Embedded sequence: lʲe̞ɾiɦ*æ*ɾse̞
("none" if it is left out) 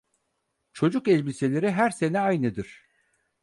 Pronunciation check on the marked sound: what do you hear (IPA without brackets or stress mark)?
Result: æ